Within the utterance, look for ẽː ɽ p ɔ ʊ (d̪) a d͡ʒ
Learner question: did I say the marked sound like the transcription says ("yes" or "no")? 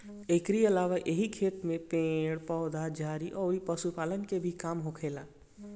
yes